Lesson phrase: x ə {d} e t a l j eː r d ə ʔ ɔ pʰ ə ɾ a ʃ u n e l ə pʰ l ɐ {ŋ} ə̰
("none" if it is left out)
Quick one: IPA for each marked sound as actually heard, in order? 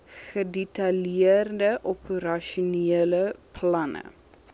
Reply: d, n

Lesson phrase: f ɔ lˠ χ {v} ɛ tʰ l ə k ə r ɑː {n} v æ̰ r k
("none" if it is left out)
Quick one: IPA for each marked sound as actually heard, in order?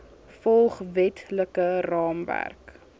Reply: v, m

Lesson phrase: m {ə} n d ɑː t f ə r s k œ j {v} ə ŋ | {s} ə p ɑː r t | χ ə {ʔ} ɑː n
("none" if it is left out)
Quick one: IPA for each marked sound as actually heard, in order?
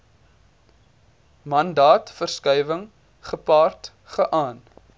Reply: ɐ, v, χ, ʔ

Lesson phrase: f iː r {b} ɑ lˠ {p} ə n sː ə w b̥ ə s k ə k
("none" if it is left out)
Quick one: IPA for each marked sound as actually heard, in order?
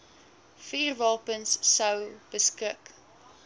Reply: v, p

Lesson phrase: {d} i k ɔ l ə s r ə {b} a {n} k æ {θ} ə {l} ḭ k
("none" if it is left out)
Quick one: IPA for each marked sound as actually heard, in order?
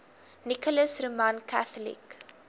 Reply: n, m, n, θ, l

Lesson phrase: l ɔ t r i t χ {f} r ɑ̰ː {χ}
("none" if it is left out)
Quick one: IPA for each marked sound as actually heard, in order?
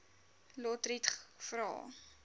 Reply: f, none

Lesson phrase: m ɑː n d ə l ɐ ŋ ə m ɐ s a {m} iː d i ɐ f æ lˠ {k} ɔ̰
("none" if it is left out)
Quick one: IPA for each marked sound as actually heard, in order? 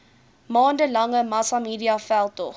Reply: m, t

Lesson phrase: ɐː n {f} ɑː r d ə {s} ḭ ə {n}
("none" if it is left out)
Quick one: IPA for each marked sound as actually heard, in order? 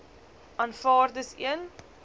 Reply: f, s, n

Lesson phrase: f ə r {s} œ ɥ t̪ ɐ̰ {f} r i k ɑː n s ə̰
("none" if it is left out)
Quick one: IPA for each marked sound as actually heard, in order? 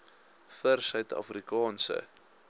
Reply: s, f

